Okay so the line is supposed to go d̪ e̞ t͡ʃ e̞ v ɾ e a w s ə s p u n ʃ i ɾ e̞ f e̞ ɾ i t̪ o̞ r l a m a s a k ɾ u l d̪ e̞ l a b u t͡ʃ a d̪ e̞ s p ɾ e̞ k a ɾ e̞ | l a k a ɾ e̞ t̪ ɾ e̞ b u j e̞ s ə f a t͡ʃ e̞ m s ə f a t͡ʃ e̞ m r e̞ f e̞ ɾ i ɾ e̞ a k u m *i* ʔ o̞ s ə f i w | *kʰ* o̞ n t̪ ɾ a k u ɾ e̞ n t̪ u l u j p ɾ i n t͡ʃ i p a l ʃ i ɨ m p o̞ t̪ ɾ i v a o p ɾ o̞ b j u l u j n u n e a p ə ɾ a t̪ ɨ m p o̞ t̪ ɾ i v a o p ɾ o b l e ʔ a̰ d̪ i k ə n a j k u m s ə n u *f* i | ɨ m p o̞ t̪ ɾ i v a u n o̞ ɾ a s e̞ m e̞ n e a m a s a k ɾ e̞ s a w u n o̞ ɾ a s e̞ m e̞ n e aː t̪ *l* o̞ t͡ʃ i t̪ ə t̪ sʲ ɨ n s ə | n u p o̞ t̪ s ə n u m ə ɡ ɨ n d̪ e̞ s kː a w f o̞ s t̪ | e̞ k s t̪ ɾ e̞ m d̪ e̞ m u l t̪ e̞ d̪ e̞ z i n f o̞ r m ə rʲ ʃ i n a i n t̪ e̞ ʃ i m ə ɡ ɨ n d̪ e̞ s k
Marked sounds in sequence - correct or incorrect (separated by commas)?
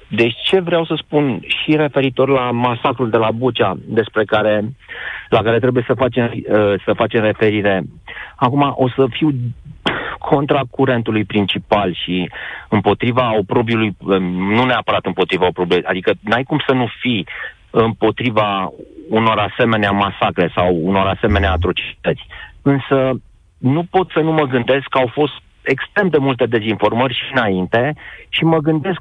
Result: incorrect, correct, correct, incorrect